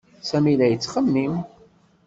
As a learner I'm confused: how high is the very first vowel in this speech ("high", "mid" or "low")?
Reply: low